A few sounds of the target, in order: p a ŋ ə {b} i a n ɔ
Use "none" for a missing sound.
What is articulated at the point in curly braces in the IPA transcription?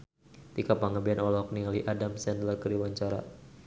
b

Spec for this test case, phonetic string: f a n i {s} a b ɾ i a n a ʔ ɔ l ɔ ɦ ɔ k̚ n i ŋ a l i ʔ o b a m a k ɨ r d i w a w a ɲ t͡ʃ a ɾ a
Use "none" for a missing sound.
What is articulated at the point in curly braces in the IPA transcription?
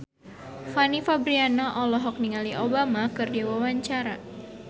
f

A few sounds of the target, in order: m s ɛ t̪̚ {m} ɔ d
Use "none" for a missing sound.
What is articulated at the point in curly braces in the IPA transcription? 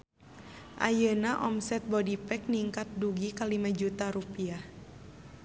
b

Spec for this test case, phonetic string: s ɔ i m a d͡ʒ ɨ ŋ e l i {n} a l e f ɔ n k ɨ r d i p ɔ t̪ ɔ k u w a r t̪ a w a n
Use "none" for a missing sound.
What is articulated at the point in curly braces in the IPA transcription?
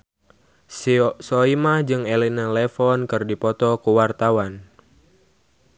n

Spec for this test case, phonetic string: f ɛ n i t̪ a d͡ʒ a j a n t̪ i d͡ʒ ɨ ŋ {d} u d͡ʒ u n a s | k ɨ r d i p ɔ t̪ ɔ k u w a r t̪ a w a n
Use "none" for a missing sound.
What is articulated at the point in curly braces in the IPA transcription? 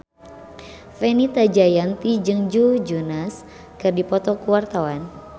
d͡ʒ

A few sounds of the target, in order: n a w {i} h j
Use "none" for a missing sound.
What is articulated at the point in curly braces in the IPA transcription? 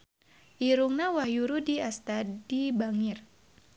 a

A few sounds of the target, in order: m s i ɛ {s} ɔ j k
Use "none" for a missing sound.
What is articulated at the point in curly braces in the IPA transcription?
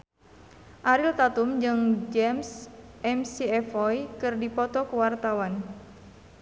f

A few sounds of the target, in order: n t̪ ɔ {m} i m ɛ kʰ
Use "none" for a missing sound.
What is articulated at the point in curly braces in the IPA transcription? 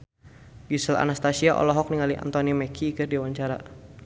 n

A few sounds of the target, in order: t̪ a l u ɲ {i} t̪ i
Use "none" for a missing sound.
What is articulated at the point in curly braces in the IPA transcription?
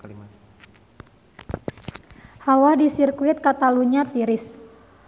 a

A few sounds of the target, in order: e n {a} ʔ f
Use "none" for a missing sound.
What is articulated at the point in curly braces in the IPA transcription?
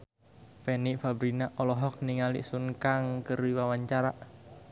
i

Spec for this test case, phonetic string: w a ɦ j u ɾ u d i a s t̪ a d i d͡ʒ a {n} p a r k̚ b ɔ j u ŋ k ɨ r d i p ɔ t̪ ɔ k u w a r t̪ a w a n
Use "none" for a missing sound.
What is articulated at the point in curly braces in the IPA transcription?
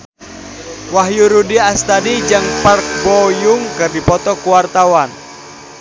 ŋ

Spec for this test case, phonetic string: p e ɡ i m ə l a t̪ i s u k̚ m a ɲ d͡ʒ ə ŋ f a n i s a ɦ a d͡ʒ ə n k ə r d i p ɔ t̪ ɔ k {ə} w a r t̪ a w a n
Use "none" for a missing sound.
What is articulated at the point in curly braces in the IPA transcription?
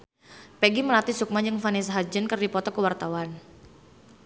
ə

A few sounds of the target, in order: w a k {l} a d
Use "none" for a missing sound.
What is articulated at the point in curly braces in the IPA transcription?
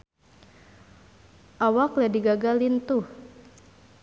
l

